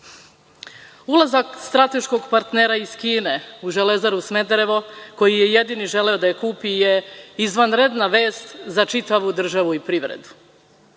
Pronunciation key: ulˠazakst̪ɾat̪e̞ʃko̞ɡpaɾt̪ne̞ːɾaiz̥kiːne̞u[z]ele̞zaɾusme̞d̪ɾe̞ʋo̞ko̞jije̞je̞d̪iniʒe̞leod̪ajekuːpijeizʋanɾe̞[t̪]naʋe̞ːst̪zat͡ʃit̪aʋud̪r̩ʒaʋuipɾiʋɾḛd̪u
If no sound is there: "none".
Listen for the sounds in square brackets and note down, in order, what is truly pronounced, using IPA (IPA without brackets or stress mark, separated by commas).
ʒ, d̪